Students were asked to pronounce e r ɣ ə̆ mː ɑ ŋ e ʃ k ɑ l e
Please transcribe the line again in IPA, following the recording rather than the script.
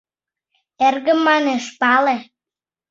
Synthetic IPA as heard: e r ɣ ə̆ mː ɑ n e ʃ p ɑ l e